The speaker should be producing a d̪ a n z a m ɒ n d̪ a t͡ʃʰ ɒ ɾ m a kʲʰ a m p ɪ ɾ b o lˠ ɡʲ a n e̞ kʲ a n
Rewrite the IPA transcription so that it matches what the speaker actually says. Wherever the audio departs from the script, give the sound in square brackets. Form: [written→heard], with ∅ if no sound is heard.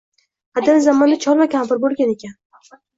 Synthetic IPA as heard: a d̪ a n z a m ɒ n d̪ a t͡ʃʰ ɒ ɾ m a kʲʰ a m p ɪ ɾ b o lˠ ɡʲ a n e̞ kʲ a n